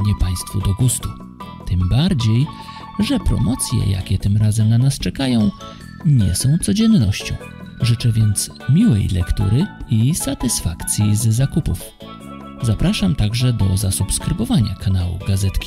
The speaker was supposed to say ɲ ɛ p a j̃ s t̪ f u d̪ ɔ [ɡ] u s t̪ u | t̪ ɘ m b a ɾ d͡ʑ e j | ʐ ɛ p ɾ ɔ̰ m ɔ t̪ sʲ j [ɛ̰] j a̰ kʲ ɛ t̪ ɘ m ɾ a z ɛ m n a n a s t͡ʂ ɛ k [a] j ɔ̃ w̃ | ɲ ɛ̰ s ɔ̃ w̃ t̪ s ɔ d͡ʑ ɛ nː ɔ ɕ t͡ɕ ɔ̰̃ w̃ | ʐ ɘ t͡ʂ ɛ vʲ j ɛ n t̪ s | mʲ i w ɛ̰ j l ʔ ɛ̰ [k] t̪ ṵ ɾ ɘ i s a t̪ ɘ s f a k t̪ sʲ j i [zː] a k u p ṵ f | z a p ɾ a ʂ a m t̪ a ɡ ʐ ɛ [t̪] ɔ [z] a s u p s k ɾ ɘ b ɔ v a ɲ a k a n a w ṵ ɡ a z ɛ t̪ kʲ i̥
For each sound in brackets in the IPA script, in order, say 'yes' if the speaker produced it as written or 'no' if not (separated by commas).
yes, yes, yes, yes, yes, no, yes